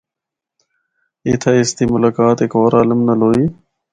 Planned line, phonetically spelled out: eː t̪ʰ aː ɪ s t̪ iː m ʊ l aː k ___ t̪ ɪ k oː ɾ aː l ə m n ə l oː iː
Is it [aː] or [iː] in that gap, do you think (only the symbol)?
aː